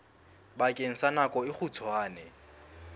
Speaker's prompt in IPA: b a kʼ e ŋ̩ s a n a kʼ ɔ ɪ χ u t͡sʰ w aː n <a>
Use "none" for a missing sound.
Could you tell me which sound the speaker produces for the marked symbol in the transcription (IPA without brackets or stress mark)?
ɛ